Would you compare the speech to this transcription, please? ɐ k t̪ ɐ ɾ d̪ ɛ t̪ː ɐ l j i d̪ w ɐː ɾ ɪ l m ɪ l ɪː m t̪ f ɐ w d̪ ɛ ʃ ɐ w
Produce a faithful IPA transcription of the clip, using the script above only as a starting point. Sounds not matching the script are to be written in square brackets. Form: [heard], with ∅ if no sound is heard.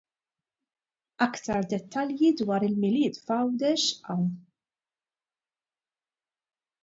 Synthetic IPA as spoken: ɐ k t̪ ɐ ɾ d̪ ɛ t̪ː ɐ l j i d̪ w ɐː ɾ ɪ l m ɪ l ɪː [∅] t̪ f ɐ w d̪ ɛ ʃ ɐ w